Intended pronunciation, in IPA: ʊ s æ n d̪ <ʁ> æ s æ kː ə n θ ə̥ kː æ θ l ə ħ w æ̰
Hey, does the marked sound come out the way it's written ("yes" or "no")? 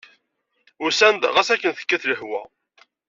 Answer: yes